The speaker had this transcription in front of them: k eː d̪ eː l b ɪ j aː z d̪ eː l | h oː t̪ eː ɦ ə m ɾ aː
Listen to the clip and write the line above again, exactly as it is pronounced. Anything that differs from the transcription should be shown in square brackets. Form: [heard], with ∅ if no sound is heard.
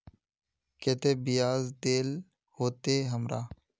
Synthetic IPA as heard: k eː [t̪] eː [∅] b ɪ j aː z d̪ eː l | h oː t̪ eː ɦ ə m ɾ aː